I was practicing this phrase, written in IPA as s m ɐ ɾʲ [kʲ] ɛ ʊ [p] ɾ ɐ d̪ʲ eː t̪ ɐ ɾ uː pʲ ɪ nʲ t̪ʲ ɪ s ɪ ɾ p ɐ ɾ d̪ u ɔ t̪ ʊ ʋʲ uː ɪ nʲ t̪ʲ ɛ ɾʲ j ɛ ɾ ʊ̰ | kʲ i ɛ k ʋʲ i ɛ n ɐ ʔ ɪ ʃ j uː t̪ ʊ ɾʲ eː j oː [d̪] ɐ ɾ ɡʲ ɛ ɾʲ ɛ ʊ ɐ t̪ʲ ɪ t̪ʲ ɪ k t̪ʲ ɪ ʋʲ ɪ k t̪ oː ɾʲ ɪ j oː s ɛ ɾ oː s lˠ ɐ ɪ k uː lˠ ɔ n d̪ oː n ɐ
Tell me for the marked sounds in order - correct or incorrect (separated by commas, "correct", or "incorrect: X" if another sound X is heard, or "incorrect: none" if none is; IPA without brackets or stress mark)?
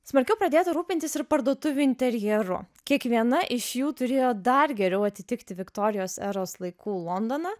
correct, correct, correct